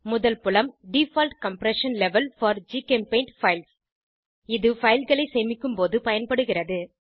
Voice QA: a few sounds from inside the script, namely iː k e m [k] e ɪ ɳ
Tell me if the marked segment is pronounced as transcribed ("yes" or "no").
no